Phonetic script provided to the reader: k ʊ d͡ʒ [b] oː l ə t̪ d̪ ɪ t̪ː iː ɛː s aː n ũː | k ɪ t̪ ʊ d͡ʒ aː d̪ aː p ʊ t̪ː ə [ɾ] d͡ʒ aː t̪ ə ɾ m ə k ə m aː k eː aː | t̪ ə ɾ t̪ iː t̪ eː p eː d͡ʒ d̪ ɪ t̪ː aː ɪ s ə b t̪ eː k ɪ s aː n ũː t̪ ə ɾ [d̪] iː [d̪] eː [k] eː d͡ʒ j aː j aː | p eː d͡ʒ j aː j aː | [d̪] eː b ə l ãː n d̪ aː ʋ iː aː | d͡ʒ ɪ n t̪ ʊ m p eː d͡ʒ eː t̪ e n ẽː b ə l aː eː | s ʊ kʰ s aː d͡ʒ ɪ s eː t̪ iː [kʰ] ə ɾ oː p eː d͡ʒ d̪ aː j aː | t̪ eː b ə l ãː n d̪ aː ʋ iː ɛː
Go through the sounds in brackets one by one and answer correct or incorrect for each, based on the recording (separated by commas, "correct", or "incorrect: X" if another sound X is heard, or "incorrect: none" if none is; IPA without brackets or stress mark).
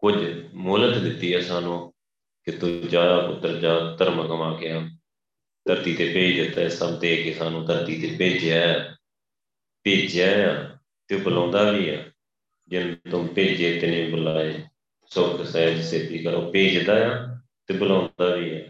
incorrect: m, correct, incorrect: t̪, incorrect: t̪, incorrect: p, incorrect: t̪, incorrect: k